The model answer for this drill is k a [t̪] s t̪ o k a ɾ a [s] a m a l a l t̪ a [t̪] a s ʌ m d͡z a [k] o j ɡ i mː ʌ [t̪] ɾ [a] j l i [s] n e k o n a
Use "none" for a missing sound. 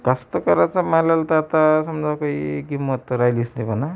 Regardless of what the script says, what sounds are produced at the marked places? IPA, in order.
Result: none, t͡s, t̪, k, t̪, a, s

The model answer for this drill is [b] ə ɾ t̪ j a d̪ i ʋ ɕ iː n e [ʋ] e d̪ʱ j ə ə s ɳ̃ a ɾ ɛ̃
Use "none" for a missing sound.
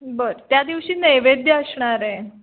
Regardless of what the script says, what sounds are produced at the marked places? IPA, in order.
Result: b, ʋ

